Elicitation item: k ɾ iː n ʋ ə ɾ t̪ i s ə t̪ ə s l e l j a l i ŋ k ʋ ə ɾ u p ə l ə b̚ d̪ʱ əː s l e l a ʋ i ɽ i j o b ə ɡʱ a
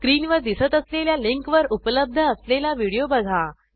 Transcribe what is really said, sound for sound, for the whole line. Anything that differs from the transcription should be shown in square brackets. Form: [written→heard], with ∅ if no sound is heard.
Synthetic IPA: k ɾ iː n ʋ ə ɾ [t̪→d̪] i s ə t̪ ə s l e l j a l i ŋ k ʋ ə ɾ u p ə l ə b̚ d̪ʱ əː s l e l a ʋ i ɽ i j o b ə ɡʱ a